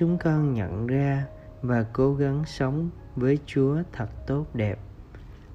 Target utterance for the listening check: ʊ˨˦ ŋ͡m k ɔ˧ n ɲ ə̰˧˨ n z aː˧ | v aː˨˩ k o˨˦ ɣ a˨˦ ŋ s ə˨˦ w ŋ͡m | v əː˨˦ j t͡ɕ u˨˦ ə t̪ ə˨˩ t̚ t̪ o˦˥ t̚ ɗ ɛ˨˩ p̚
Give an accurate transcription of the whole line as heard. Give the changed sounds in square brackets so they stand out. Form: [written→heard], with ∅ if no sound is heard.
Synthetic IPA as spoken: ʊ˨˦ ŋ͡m k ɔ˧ n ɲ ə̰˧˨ n z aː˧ | v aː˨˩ k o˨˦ ɣ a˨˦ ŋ s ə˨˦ w ŋ͡m | v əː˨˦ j t͡ɕ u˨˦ ə [t̪→t̪ʰ] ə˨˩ t̚ t̪ o˦˥ t̚ ɗ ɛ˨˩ p̚